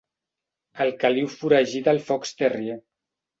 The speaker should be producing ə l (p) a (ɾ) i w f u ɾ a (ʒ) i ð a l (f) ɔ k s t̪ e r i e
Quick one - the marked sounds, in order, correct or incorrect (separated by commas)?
incorrect, incorrect, correct, correct